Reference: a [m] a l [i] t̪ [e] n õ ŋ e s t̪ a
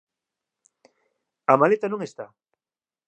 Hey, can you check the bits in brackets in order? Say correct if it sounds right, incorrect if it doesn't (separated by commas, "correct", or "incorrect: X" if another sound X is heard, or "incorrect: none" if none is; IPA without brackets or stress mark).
correct, incorrect: e, incorrect: a